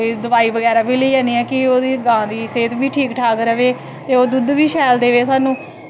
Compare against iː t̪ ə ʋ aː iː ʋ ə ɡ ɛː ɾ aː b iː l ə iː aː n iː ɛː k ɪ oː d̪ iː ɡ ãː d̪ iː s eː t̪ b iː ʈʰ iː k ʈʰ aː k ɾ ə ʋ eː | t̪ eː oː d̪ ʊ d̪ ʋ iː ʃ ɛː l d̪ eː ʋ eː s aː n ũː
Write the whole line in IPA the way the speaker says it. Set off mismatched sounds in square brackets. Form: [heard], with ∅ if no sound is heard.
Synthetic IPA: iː [d̪] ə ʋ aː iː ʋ ə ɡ ɛː ɾ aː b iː l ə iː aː n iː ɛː k ɪ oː d̪ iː ɡ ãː d̪ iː s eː t̪ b iː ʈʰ iː k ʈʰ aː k ɾ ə ʋ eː | t̪ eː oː d̪ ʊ d̪ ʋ iː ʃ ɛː l d̪ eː ʋ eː s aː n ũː